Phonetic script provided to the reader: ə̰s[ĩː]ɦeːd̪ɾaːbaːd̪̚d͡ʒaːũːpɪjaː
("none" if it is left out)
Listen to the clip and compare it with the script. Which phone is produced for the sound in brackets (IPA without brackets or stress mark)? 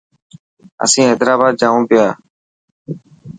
ĩː